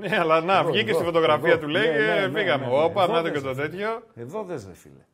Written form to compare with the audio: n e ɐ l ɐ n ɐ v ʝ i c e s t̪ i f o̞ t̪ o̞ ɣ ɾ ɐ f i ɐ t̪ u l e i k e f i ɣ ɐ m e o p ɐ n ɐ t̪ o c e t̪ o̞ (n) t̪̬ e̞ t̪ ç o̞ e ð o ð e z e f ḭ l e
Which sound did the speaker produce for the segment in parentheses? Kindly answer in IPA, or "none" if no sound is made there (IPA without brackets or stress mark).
none